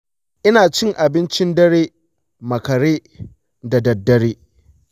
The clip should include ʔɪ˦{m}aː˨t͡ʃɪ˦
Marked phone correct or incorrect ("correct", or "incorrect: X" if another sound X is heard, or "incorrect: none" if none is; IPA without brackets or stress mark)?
incorrect: n